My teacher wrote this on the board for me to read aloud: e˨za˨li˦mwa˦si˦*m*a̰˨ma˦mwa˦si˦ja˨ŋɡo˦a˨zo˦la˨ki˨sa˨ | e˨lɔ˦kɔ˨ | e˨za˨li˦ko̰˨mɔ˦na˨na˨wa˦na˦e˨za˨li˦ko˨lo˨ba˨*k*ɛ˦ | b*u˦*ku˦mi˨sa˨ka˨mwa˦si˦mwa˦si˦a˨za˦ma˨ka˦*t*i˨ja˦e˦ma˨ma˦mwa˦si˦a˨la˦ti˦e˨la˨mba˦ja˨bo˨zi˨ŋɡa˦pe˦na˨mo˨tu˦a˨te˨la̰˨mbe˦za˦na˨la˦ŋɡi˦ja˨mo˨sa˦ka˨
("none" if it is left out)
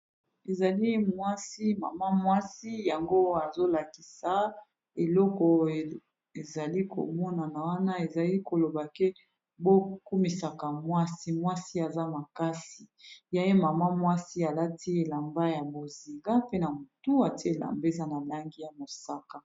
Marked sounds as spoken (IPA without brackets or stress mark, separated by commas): m, k, o˦, s